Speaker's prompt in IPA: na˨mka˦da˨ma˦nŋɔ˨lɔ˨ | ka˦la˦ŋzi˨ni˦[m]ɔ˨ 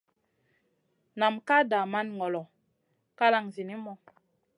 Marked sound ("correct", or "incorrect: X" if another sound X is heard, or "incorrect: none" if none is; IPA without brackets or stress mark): correct